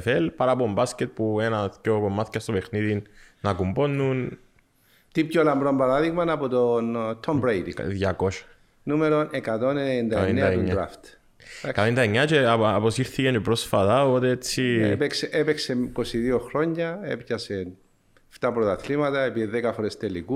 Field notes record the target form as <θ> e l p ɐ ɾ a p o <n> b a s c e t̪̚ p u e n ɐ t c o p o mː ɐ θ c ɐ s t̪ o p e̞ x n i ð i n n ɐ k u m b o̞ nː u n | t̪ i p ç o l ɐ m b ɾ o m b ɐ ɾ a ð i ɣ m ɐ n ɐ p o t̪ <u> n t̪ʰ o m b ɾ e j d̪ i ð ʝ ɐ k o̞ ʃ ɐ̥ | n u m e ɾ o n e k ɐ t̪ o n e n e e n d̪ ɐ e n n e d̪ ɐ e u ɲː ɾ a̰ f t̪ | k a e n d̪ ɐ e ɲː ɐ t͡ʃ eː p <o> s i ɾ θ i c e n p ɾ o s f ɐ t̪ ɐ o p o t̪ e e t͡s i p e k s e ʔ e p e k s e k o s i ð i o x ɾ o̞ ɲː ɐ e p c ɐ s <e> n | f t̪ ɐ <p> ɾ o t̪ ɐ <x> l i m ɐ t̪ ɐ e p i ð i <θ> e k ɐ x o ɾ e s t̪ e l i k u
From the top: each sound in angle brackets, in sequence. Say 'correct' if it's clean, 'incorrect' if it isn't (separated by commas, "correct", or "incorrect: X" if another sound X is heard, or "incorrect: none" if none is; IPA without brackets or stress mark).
incorrect: f, incorrect: m, incorrect: o, correct, correct, correct, incorrect: θ, incorrect: ð